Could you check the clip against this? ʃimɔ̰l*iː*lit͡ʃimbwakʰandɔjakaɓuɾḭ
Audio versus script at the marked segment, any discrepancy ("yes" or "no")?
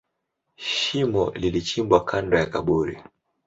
yes